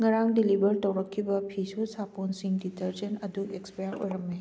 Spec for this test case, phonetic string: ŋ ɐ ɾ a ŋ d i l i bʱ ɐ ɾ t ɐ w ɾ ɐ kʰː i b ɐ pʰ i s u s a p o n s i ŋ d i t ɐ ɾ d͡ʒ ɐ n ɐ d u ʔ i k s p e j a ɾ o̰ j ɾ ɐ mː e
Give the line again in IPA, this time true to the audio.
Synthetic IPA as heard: ŋ ɐ ɾ a ŋ d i l i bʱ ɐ ɾ t ɐ w ɾ ɐ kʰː i b ɐ pʰ i s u s a p o n s i ŋ d i t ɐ ɾ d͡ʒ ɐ n ɐ d u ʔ e k s p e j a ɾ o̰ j ɾ ɐ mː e